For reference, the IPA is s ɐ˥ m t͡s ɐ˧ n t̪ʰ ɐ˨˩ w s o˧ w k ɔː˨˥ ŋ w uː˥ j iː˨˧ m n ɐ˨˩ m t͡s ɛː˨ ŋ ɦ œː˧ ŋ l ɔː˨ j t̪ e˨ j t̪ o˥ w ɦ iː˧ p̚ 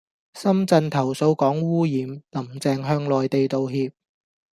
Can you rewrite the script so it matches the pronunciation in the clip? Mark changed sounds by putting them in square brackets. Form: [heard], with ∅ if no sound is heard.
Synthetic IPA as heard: s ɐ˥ m t͡s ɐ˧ n t̪ʰ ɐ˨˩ w s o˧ w k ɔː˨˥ ŋ w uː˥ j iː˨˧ m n ɐ˨˩ m t͡s ɛː˨ ŋ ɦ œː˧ ŋ l ɔː˨ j t̪ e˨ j t̪ [o˨] w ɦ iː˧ p̚